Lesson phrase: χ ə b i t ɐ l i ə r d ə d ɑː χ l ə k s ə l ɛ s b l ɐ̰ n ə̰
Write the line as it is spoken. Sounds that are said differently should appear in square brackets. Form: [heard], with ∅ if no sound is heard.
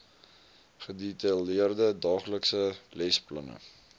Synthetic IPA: χ ə [d] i t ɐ l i ə r d ə d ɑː χ l ə k s ə l ɛ s [p] l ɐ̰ n ə̰